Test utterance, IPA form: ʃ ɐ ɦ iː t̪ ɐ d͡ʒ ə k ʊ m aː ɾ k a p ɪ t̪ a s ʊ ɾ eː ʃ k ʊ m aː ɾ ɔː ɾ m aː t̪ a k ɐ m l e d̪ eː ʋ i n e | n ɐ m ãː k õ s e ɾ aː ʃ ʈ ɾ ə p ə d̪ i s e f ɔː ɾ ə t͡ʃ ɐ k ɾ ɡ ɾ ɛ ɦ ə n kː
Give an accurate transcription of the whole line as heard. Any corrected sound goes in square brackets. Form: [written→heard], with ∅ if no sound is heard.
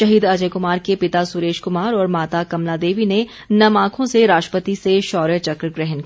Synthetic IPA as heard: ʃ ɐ ɦ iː [t̪→d̪] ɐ d͡ʒ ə k ʊ m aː ɾ k [a→e] p ɪ t̪ a s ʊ ɾ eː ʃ k ʊ m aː ɾ ɔː ɾ m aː t̪ a k ɐ m l [e→a] d̪ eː ʋ i n e | n ɐ m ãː [k→kʰ] õ s e ɾ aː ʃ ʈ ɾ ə p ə [d̪→t̪] i s e [f→ʃ] ɔː ɾ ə t͡ʃ ɐ k ɾ ɡ ɾ ɛ ɦ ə n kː